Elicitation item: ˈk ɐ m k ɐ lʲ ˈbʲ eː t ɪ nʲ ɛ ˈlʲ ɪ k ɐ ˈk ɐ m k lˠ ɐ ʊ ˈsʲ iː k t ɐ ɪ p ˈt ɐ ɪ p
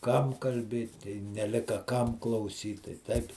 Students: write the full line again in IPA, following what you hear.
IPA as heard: ˈk ɐ m k ɐ lʲ ˈbʲ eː t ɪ nʲ ɛ ˈlʲ ɪ k ɐ ˈk ɐ m k lˠ ɐ ʊ ˈsʲ iː t t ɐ ɪ ˈt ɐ ɪ p

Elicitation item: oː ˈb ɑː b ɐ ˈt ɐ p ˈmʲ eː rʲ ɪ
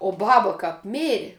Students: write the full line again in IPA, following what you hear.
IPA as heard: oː ˈb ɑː b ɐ ˈk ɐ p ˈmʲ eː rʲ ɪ

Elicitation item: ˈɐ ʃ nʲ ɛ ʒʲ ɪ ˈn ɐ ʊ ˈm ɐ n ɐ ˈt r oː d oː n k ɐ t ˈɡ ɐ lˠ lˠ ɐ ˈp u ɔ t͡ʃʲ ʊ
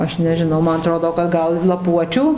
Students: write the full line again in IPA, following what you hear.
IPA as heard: ˈɐ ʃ nʲ ɛ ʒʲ ɪ ˈn ɐ ʊ ˈm ɐ n ɐ ˈt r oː d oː k ɐ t ˈɡ ɐ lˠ lˠ ɐ ˈp u ɔ t͡ʃʲ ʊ

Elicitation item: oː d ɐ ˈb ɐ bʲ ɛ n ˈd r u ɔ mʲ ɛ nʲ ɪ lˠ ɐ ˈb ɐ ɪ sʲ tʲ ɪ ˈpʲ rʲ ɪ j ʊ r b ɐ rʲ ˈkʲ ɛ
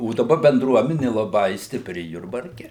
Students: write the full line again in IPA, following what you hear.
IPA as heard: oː d ɐ ˈb ɐ bʲ ɛ n ˈd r u ɔ mʲ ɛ nʲ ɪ lˠ ɐ ˈb ɐ ɪ sʲ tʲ ɪ ˈpʲ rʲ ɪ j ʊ r b ɐ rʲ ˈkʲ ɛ

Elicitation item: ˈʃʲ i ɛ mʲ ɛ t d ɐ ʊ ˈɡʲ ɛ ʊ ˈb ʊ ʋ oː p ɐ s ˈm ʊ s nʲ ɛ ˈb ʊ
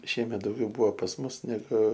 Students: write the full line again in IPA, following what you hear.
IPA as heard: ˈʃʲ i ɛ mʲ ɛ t d ɐ ʊ ˈɡʲ ɛ ʊ ˈb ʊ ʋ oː p ɐ s ˈm ʊ s nʲ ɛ ˈɡ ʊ

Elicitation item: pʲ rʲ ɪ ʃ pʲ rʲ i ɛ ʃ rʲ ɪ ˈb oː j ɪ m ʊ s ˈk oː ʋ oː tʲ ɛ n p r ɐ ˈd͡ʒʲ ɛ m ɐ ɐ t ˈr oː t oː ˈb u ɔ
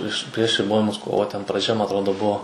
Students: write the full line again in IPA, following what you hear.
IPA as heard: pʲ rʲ ɪ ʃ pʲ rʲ i ɛ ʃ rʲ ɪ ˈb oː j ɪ m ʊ s ˈk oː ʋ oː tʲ ɛ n p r ɐ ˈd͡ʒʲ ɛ m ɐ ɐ t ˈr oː d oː ˈb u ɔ

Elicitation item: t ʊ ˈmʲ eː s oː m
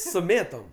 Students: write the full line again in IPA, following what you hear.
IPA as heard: s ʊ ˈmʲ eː t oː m

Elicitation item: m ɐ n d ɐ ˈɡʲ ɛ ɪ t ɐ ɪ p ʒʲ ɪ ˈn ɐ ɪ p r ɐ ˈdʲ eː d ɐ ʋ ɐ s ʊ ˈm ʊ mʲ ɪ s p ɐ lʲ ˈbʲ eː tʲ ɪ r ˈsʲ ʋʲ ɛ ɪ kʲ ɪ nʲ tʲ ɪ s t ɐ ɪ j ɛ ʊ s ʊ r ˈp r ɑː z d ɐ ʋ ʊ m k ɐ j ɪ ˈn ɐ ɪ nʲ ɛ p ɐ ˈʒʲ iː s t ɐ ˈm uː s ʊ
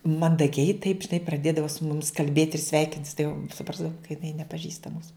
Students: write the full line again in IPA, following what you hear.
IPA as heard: m ɐ n d ɐ ˈɡʲ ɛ ɪ t ɐ ɪ p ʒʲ ɪ ˈn ɐ ɪ p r ɐ ˈdʲ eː d ɐ ʋ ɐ s ʊ ˈm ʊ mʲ ɪ s k ɐ lʲ ˈbʲ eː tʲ ɪ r ˈsʲ ʋʲ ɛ ɪ kʲ ɪ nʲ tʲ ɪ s t ɐ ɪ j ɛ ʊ s ʊ ˈp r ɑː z d ɐ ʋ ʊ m k ɐ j ɪ ˈn ɐ ɪ nʲ ɛ p ɐ ˈʒʲ iː s t ɐ ˈm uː s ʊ

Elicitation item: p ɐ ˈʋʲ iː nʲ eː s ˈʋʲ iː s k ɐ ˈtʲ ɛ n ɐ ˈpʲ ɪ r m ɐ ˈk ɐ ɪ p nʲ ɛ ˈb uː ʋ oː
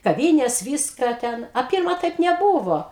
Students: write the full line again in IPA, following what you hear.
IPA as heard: k ɐ ˈʋʲ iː nʲ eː s ˈʋʲ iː s k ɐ ˈtʲ ɛ n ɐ ˈpʲ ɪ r m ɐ ˈt ɐ ɪ p nʲ ɛ ˈb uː ʋ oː

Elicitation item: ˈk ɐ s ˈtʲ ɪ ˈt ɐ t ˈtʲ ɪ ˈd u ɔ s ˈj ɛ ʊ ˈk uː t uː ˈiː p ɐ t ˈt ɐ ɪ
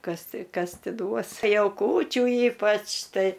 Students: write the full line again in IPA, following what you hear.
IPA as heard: ˈk ɐ s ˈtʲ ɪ ˈk ɐ s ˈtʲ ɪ ˈd u ɔ s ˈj ɛ ʊ ˈk uː t͡ʃʲ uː ˈiː p ɐ t͡ʃ ˈt ɐ ɪ

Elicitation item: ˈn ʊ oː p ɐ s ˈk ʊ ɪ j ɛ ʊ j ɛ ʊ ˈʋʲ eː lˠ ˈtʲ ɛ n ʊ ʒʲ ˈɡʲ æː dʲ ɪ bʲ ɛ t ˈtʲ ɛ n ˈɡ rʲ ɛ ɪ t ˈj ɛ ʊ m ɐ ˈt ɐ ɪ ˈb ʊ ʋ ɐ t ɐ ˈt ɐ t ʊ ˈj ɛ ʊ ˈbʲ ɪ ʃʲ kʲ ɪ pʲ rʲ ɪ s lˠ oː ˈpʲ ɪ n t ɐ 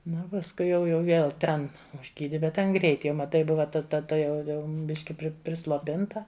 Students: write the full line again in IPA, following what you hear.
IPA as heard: ˈn ʊ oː p ɐ s ˈk ʊ ɪ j ɛ ʊ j ɛ ʊ ˈʋʲ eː lˠ ˈtʲ ɛ n ʊ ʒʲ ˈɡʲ iː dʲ ɪ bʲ ɛ t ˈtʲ ɛ n ˈɡ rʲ ɛ ɪ t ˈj ɛ ʊ m ɐ ˈt ɐ ɪ ˈb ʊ ʋ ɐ t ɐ ˈt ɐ t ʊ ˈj ɛ ʊ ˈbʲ ɪ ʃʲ kʲ ɪ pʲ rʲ ɪ s lˠ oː ˈpʲ ɪ n t ɐ

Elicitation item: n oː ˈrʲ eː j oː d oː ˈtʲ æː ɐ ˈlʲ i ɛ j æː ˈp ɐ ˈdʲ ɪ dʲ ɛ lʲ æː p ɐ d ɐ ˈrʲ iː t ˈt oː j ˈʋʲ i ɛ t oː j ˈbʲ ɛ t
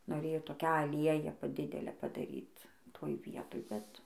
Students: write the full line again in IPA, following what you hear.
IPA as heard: n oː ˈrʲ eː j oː t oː ˈkʲ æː ɐ ˈlʲ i ɛ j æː ˈp ɐ ˈdʲ ɪ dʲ ɛ lʲ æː p ɐ d ɐ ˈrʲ iː t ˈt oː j ˈʋʲ i ɛ t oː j ˈbʲ ɛ t

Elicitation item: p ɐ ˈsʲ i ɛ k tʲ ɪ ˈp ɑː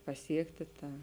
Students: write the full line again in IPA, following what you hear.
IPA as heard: p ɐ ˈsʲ i ɛ k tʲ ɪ ˈt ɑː

